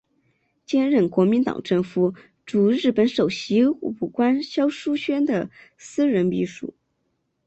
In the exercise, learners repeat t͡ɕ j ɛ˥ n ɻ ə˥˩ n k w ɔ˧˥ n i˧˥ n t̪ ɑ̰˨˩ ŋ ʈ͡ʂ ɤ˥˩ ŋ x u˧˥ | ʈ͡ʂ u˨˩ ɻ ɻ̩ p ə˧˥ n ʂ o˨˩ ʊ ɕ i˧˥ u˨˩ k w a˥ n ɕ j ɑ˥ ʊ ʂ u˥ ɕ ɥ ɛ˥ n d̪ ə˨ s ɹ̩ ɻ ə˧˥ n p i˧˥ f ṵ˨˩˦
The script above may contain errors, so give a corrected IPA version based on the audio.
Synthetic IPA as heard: t͡ɕ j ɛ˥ n ɻ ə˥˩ n k w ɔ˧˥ m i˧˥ n t̪ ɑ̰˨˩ ŋ ʈ͡ʂ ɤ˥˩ ŋ f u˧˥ | ʈ͡ʂ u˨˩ ɻ ɻ̩ p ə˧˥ n ʂ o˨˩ ʊ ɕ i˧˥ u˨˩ k w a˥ n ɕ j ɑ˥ ʊ ʂ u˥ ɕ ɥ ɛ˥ n d̪ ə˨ s ɹ̩ ɻ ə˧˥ n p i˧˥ ʂ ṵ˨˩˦